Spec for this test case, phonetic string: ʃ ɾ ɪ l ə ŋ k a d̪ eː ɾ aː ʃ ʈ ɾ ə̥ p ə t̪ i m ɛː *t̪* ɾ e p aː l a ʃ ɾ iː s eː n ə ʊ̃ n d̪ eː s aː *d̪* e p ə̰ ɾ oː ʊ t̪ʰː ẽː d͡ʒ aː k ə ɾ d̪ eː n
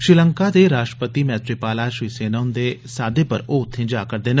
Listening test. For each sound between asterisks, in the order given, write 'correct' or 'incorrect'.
correct, correct

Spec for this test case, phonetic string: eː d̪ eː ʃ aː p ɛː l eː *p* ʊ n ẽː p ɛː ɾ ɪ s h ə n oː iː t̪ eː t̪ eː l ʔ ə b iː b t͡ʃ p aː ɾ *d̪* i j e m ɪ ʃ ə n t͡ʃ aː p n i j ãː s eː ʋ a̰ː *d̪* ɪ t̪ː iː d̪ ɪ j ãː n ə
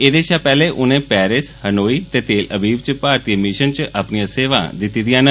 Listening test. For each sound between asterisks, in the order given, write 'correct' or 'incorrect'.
incorrect: ʔ, incorrect: t̪, correct

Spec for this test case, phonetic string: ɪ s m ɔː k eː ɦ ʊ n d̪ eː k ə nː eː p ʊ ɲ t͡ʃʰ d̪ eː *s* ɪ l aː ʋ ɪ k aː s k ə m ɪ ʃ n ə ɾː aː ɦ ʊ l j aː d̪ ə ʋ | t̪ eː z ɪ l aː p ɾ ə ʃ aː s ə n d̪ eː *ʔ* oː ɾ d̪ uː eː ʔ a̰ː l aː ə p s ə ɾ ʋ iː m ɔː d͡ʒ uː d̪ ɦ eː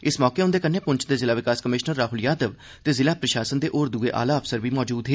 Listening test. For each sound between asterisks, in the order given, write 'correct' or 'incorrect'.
incorrect: z, correct

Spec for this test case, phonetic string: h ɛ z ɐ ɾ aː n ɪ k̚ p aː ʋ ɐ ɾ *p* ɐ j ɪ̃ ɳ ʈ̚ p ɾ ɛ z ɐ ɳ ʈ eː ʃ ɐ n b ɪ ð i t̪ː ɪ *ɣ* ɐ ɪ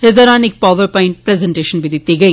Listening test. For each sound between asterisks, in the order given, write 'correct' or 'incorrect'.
correct, correct

